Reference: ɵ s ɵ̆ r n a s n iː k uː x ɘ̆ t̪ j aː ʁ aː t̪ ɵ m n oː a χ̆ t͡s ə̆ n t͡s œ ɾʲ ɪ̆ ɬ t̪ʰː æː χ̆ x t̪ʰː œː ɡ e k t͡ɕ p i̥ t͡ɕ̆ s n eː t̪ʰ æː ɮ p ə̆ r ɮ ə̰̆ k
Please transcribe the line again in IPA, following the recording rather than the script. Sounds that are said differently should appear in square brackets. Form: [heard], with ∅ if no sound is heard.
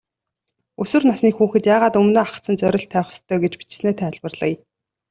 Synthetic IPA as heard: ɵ s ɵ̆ r n a s n iː [x] uː x ɘ̆ t̪ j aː ʁ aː t̪ ɵ m n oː a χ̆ t͡s ə̆ n t͡s œ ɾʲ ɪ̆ ɬ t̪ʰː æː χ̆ [s] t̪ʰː œː ɡ e [∅] t͡ɕ p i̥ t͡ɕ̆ s n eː t̪ʰ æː ɮ p ə̆ r ɮ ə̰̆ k